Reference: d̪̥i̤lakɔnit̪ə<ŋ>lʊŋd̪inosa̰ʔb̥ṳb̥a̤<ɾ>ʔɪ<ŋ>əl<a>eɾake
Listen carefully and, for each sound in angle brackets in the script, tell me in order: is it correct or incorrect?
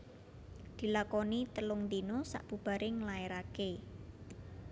incorrect, correct, correct, correct

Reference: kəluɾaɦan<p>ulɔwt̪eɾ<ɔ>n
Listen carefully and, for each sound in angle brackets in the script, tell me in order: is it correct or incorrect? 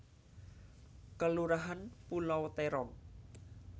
correct, correct

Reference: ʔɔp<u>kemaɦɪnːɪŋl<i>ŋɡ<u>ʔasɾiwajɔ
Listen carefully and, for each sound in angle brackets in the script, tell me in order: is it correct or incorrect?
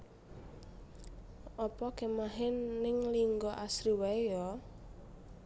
incorrect, correct, incorrect

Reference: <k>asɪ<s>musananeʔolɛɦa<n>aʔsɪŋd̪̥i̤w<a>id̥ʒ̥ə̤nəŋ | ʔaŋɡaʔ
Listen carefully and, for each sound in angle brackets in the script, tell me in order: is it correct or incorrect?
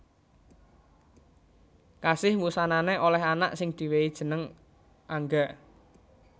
correct, incorrect, correct, incorrect

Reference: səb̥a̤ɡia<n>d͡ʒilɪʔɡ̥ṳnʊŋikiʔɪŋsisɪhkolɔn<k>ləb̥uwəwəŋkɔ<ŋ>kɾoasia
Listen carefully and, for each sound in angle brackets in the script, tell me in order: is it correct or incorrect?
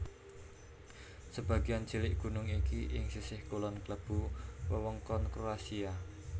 correct, correct, incorrect

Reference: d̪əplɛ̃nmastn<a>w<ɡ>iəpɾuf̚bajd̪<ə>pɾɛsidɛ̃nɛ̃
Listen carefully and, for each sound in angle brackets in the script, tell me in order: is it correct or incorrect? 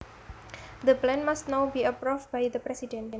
correct, incorrect, correct

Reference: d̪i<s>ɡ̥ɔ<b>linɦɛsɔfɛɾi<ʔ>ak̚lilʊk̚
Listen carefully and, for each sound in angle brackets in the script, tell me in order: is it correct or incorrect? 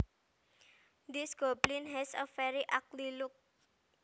correct, correct, correct

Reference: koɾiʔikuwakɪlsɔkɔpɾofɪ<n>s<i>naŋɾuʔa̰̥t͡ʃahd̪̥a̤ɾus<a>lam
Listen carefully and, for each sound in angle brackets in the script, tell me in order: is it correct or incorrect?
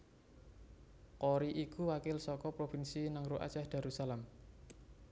correct, correct, correct

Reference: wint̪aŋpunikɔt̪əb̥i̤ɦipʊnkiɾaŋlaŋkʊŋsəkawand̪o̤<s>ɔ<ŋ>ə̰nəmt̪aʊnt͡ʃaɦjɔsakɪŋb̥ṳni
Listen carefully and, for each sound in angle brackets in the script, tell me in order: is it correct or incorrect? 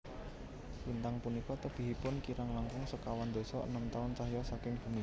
correct, incorrect

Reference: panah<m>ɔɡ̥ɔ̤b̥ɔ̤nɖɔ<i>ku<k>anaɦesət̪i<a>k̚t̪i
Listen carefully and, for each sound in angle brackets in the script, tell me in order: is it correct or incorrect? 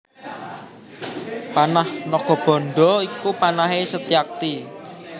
incorrect, correct, incorrect, correct

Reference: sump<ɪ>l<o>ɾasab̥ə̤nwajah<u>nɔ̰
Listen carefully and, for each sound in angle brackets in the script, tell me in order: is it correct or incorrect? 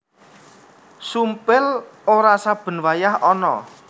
correct, correct, incorrect

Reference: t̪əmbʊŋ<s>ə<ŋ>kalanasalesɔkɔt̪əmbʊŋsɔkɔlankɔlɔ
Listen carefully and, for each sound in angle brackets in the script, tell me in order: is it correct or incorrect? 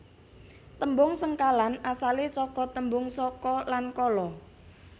correct, correct

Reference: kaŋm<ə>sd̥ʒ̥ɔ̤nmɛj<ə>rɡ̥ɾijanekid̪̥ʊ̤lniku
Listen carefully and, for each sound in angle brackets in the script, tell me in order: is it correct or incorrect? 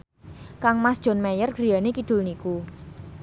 incorrect, correct

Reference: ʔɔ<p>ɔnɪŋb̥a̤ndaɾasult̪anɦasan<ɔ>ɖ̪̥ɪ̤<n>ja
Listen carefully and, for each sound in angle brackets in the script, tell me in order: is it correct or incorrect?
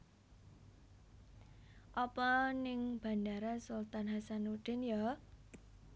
correct, incorrect, correct

